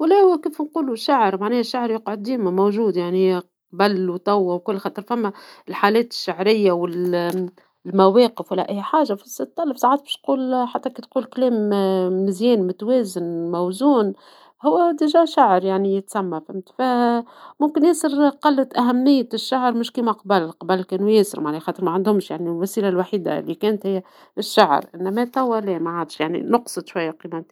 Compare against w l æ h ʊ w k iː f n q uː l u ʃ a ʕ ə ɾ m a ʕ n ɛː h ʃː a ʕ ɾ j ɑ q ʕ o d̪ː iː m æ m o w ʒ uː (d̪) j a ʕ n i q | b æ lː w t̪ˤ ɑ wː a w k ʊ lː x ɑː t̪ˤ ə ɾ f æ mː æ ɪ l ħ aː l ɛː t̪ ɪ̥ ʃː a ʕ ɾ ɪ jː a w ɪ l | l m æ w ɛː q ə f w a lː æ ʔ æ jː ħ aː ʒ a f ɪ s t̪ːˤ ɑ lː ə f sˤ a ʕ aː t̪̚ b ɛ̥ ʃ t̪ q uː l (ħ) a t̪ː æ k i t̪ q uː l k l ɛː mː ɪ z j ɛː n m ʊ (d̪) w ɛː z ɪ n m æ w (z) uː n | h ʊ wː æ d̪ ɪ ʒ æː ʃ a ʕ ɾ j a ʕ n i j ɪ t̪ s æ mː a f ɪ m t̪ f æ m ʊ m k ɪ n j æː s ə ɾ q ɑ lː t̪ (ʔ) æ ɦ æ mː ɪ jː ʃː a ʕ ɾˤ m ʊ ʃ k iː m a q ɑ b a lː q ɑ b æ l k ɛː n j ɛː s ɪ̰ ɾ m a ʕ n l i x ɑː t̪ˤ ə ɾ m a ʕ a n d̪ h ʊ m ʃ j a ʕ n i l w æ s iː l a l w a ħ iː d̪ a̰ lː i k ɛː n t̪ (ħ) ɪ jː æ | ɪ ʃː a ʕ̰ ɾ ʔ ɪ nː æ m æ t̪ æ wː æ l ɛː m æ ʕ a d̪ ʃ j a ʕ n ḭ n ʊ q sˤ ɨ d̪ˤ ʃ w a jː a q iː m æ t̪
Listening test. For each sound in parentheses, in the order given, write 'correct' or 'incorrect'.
correct, correct, incorrect: t̪, correct, correct, incorrect: h

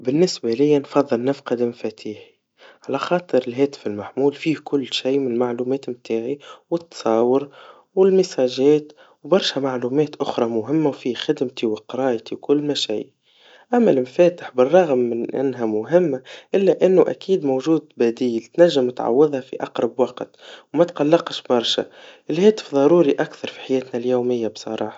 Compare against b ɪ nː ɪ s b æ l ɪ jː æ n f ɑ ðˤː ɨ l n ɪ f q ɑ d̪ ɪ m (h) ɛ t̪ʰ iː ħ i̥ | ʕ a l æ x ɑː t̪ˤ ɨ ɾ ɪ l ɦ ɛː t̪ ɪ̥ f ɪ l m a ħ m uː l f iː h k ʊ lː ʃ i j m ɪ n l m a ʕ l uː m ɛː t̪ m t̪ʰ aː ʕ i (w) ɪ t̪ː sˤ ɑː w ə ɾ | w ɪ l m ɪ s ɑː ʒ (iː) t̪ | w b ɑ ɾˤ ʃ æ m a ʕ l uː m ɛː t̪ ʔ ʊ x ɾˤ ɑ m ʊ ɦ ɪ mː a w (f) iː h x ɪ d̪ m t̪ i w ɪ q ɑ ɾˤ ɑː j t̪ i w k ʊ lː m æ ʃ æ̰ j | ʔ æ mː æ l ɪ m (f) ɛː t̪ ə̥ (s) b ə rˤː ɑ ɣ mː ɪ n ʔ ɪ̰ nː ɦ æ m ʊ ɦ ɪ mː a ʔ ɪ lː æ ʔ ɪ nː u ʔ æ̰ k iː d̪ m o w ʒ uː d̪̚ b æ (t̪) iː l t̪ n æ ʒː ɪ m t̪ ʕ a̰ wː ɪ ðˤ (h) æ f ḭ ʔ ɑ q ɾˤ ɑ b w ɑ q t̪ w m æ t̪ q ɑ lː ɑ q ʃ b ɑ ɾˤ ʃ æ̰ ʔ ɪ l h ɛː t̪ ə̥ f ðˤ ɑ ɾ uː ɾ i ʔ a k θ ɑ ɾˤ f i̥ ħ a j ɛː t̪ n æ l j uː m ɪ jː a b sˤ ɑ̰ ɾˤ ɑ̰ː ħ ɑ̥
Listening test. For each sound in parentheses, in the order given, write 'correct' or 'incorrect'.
incorrect: f, correct, incorrect: ɛː, correct, correct, incorrect: ħ, incorrect: d̪, correct

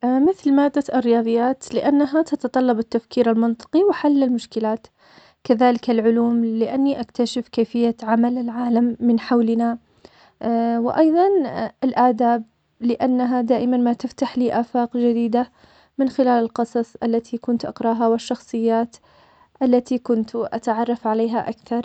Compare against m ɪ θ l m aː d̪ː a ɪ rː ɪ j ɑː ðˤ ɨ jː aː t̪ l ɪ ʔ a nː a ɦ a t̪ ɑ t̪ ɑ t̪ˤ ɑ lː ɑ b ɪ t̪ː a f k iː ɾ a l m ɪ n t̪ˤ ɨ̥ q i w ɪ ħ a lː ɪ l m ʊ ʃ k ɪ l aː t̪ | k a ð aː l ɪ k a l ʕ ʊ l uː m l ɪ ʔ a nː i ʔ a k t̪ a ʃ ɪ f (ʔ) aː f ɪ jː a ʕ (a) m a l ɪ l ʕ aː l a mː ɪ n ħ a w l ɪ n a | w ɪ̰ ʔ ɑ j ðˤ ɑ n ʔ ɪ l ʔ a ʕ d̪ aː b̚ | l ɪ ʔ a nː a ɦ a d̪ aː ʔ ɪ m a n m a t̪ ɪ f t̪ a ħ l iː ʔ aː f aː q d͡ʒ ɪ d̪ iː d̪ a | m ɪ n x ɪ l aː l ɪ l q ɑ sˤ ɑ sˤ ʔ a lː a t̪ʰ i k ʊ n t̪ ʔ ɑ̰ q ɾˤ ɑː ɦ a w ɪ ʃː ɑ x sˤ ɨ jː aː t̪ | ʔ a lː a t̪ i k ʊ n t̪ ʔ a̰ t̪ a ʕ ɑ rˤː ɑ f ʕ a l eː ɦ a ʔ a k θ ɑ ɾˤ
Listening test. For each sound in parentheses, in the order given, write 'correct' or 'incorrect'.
incorrect: k, correct

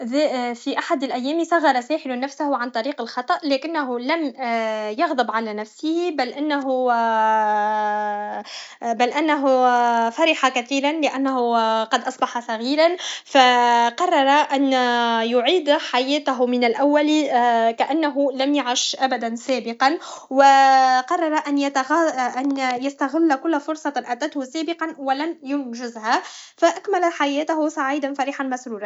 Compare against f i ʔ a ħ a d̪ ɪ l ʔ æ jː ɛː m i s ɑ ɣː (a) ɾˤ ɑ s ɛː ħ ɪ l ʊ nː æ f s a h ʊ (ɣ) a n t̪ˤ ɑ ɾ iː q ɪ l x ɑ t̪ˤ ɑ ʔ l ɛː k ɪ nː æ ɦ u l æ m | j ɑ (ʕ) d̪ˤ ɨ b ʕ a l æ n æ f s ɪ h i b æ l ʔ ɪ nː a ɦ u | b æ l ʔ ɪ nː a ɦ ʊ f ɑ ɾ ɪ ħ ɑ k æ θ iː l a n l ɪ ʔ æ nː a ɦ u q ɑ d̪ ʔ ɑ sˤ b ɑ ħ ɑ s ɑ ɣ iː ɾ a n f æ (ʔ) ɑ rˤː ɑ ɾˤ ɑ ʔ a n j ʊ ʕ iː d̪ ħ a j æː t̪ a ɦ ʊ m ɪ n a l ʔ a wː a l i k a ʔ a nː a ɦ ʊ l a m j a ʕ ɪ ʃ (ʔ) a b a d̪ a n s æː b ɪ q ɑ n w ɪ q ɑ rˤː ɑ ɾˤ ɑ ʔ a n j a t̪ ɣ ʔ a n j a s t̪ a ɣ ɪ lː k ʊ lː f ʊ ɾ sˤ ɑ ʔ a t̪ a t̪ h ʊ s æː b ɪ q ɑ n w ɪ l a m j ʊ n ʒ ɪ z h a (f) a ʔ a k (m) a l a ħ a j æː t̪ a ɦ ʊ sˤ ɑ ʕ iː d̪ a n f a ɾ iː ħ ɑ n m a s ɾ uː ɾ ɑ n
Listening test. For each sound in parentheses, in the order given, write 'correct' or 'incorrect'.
incorrect: ɑ, incorrect: ʕ, incorrect: ɣ, incorrect: q, correct, correct, correct

